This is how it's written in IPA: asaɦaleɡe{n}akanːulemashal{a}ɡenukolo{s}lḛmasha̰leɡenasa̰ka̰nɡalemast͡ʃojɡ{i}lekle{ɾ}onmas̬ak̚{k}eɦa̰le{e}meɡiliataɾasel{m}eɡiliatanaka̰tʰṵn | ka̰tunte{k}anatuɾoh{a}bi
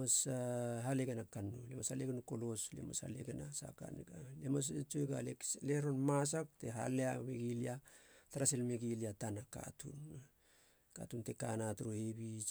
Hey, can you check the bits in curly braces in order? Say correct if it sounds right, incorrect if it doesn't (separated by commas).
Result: correct, incorrect, correct, incorrect, correct, incorrect, incorrect, correct, correct, incorrect